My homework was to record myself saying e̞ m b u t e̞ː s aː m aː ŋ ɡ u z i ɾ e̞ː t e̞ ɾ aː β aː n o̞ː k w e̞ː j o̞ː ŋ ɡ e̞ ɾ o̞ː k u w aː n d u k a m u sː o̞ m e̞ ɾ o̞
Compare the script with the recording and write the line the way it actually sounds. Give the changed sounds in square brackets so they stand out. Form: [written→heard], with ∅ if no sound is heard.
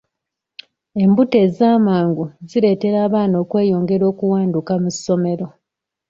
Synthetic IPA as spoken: e̞ m b u t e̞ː [s→z] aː m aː ŋ ɡ u z i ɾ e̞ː t e̞ ɾ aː β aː n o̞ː k w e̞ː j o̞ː ŋ ɡ e̞ ɾ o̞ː k u w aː n d u k a m u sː o̞ m e̞ ɾ o̞